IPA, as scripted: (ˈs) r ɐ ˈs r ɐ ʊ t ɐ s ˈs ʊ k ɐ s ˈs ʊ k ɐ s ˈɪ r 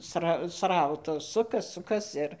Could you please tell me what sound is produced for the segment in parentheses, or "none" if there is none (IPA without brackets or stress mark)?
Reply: s